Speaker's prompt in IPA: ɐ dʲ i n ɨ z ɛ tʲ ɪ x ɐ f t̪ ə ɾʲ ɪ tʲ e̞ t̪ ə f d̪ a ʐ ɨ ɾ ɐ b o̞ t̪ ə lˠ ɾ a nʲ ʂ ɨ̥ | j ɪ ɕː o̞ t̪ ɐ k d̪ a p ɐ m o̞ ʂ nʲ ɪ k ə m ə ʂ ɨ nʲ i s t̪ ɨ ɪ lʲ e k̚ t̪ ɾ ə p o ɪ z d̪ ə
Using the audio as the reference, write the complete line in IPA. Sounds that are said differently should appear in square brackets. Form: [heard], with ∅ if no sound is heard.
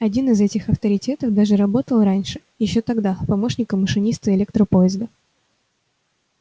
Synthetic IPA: ɐ dʲ i n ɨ z ɛ tʲ ɪ x ɐ f t̪ ə ɾʲ ɪ tʲ e̞ t̪ ə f d̪ a ʐ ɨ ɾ ɐ b o̞ t̪ ə lˠ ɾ a nʲ ʂ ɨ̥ | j ɪ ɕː o̞ t̪ ɐ [ɡ] d̪ a p ɐ m o̞ ʂ nʲ ɪ k ə m ə ʂ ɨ nʲ i s t̪ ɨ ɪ lʲ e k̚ t̪ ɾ ə p o ɪ z d̪ ə

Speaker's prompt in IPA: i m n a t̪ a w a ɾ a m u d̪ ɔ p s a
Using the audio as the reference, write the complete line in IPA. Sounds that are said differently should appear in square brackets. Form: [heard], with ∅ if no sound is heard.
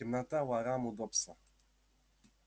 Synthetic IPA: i m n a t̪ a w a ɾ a m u d̪ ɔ p s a

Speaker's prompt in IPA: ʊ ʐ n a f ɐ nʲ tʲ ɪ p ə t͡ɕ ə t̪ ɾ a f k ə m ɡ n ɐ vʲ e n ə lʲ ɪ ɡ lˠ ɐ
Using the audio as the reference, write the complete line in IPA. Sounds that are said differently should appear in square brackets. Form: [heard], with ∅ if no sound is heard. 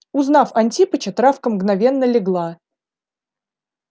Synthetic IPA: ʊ [z] n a f ɐ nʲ tʲ [i] p ə t͡ɕ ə t̪ ɾ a f k ə m ɡ n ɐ vʲ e [nː] ə lʲ ɪ ɡ lˠ [a]

